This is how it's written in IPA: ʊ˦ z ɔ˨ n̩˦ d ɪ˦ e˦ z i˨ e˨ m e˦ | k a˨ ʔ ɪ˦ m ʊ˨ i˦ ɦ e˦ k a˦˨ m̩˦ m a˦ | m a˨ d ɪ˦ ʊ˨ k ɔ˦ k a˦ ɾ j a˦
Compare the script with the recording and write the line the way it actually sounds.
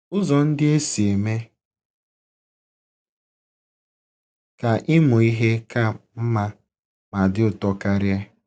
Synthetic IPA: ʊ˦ z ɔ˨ n̩˦ d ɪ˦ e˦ s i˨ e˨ m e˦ | k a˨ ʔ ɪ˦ m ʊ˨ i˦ ɦ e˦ k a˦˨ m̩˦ m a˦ | m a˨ d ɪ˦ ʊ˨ t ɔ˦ k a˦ ɾ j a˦